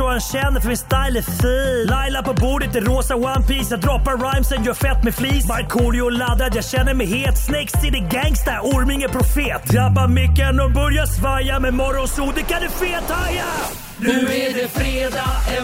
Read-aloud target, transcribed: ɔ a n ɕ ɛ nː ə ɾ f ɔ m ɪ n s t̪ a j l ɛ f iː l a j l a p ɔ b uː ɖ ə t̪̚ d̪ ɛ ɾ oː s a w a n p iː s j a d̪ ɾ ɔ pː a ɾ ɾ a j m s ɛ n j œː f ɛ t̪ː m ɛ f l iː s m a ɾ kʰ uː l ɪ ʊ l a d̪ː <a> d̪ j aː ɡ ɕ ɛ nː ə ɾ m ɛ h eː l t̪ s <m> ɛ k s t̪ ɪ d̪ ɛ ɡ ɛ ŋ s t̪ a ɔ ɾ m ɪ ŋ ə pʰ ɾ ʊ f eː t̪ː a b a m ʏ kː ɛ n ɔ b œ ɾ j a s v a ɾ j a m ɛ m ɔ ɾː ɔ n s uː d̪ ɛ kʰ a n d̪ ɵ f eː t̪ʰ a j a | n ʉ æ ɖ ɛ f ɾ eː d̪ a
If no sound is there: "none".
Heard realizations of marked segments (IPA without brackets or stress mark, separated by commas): a, n